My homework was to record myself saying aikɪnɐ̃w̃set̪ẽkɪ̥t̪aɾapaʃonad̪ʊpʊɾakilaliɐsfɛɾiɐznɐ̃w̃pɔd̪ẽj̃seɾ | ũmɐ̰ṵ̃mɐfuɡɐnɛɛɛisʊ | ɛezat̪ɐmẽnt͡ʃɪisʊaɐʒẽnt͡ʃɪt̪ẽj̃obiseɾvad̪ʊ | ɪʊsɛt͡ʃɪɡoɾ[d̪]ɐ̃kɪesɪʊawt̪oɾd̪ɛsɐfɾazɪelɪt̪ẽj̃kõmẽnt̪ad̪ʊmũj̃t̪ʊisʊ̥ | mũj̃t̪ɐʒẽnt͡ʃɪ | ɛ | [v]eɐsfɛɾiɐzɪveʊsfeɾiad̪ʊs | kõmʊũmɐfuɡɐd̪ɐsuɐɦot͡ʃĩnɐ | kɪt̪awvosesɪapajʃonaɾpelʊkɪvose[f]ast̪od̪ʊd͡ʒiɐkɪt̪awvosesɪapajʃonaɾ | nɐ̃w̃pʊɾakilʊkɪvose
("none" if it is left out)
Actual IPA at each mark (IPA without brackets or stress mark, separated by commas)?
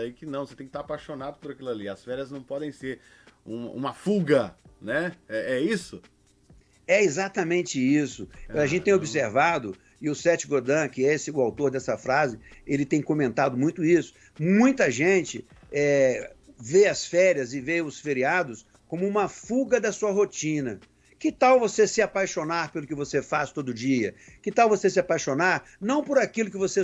d̪, v, f